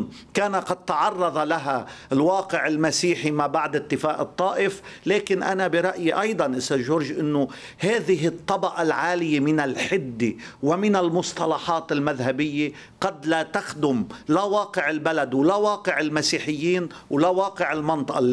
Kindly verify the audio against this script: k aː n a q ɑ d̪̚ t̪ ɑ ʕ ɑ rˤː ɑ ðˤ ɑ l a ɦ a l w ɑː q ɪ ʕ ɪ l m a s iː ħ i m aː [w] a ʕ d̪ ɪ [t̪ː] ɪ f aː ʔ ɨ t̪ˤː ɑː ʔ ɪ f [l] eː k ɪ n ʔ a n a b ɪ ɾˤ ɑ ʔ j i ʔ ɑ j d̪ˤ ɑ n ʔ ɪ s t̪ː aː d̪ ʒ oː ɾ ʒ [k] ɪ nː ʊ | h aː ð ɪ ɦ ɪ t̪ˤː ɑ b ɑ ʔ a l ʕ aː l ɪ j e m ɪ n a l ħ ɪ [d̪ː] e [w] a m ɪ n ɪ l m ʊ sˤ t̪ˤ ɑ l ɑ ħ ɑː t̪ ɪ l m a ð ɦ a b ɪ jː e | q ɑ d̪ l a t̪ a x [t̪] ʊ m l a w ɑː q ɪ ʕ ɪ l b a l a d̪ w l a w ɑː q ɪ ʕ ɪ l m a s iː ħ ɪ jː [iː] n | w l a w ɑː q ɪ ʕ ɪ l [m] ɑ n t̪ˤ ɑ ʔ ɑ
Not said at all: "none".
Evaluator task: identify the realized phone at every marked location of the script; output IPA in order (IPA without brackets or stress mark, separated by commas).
b, t̪ː, l, ʔ, d̪ː, w, d̪, iː, m